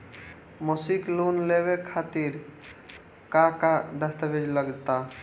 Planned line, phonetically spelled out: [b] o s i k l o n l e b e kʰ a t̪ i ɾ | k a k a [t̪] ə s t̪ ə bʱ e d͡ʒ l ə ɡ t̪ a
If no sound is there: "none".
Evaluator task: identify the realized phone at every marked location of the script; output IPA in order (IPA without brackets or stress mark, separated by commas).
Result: m, d̪